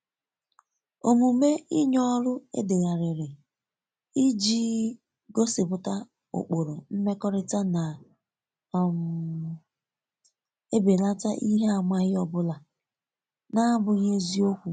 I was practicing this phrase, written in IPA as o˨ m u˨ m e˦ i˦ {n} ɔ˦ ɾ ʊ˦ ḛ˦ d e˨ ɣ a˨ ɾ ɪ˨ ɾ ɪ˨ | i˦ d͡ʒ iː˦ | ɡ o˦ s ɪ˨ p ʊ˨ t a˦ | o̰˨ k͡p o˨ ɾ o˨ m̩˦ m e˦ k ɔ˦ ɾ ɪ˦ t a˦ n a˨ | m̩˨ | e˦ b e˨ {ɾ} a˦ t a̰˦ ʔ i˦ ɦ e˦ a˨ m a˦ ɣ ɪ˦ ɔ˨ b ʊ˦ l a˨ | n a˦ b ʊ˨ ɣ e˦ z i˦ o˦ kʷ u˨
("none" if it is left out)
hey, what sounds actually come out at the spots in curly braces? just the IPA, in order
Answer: ɲ, l

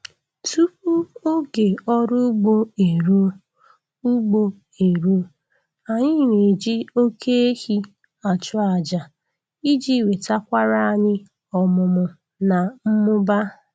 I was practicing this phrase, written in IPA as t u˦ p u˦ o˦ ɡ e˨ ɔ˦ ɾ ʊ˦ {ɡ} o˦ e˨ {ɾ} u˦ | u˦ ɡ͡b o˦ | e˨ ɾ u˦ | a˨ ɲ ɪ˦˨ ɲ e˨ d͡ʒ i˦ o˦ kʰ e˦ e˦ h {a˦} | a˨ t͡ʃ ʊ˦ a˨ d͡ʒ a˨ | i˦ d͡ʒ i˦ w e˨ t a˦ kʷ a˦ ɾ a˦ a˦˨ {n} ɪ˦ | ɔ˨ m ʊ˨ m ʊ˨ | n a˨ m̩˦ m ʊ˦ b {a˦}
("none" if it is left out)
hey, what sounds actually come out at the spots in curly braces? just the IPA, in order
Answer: ɡ͡b, ɾ, i˦, ɲ, a˦

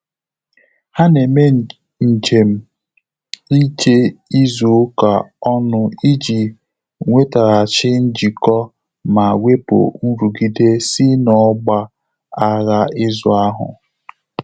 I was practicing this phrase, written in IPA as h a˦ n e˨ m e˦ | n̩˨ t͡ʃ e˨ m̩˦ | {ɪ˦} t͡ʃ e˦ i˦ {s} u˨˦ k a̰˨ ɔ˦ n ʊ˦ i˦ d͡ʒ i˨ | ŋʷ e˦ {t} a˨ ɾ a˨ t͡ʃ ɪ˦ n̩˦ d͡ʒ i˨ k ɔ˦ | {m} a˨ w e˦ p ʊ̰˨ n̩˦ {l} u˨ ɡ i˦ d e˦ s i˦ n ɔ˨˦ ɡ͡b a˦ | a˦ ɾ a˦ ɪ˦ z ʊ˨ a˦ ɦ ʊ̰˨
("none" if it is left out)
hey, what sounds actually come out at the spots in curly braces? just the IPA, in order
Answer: i˦, z, t, m, ɾ

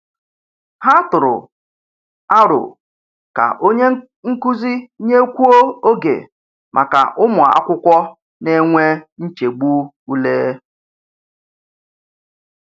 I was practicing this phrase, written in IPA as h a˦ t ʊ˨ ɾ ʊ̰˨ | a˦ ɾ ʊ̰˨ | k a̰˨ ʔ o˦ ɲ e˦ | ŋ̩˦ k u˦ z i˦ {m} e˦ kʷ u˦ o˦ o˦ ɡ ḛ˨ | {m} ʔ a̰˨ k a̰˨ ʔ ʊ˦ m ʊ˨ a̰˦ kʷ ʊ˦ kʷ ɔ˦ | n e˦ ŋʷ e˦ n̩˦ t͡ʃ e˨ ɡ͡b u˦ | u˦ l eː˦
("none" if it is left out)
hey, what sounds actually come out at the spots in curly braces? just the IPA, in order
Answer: ɲ, m

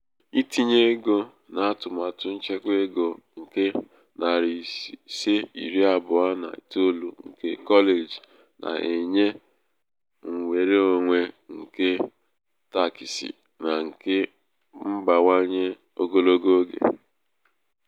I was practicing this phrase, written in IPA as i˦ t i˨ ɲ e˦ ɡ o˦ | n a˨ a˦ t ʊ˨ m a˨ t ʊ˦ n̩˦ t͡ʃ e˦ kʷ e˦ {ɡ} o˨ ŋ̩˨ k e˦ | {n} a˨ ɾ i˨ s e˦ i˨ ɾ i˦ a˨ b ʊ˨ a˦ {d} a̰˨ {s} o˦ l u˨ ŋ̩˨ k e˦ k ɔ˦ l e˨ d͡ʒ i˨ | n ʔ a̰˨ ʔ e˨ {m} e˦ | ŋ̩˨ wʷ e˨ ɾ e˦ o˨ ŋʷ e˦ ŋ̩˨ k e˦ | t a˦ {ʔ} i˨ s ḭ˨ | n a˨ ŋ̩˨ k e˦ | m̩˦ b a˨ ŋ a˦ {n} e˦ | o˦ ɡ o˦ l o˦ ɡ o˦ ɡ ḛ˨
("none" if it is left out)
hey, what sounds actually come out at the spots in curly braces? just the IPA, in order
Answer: ɡ, n, n, t, ɲ, k, ɲ

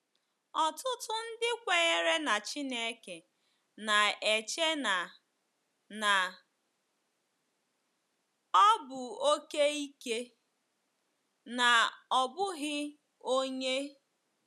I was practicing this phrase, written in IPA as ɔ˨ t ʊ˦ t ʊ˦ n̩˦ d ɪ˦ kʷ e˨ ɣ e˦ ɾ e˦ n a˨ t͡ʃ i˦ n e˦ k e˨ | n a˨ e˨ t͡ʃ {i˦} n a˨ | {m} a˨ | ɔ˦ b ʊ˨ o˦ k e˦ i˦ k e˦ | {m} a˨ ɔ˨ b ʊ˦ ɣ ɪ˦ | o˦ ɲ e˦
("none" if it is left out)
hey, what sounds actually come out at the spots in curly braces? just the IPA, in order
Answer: e˦, n, n

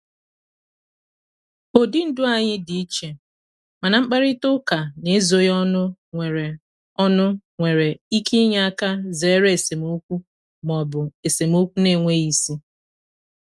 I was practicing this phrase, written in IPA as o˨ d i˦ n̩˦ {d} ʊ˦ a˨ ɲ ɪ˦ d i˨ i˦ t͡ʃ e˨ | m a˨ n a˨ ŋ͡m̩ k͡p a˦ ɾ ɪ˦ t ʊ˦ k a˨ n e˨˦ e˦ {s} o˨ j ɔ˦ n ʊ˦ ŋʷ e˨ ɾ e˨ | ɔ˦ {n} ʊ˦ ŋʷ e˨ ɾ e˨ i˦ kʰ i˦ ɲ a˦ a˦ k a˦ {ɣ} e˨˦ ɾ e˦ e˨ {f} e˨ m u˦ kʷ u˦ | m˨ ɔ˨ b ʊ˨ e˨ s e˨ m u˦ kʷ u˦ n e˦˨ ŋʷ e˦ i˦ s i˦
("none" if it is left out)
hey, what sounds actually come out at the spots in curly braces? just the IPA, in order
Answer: d, z, n, z, s

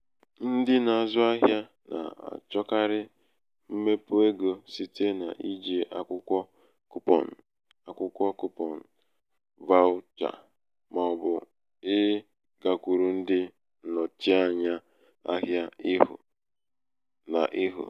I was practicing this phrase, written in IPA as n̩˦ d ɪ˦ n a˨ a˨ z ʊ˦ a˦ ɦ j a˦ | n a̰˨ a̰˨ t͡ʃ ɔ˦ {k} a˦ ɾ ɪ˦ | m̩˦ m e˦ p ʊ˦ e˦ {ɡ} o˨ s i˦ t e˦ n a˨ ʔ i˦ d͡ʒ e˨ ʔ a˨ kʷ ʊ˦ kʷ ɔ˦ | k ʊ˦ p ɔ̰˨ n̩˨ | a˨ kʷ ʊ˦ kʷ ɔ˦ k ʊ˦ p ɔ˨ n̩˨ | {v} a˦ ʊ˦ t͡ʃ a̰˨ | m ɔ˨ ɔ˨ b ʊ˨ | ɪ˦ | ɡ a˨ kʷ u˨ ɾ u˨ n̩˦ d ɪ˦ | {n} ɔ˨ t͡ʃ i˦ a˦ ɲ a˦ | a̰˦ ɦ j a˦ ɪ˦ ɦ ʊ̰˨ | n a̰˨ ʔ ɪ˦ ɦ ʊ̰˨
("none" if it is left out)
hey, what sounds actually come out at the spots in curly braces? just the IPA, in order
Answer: k, ɡ, v, n

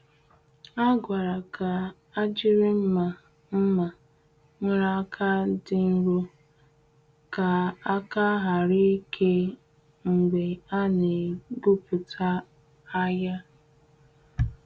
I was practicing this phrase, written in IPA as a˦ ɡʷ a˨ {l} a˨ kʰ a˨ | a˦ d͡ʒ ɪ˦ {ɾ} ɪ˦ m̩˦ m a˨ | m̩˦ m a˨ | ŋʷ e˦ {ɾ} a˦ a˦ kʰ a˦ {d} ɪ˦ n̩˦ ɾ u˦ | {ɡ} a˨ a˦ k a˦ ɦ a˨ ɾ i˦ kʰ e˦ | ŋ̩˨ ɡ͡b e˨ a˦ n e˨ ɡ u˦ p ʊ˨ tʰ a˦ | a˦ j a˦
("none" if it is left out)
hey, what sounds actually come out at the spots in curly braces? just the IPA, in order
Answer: ɾ, ɾ, ɾ, d, k

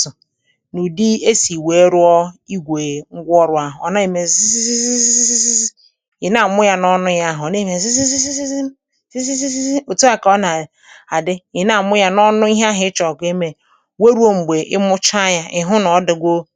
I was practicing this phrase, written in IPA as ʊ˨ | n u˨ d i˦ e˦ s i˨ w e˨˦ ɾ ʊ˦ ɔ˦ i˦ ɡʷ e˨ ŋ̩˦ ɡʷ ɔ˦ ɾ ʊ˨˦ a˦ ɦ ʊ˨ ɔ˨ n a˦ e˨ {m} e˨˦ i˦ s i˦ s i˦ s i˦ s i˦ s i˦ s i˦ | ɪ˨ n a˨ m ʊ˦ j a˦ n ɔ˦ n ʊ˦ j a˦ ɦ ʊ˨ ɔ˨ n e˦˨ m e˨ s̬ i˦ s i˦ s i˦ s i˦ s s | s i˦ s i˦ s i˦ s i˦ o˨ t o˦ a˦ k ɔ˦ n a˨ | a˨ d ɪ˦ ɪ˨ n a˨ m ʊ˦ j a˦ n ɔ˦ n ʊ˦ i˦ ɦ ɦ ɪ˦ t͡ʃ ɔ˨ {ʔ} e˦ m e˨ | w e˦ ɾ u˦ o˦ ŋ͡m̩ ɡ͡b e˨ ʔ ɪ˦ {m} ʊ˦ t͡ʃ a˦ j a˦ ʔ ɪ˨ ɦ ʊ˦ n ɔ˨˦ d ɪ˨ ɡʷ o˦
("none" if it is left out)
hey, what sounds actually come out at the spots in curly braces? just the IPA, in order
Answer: m, k, m

